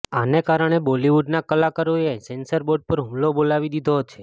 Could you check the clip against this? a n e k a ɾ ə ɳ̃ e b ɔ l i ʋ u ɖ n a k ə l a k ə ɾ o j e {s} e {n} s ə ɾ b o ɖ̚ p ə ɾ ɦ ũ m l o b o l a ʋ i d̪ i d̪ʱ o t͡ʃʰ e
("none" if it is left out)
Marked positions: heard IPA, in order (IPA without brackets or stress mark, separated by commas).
s, n